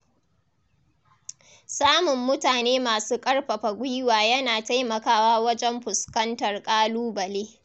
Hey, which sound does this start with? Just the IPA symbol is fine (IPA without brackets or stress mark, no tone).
s